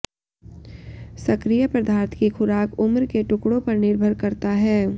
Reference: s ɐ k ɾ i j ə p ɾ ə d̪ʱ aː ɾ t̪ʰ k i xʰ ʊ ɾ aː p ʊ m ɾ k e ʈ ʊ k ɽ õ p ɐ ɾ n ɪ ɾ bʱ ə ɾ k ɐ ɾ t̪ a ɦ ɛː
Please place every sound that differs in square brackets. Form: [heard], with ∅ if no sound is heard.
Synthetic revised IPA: s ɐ k ɾ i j ə p ɾ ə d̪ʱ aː ɾ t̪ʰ k i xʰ ʊ ɾ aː [k] ʊ m ɾ k e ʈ ʊ k ɽ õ p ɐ ɾ n ɪ ɾ bʱ ə ɾ k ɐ ɾ t̪ a ɦ ɛː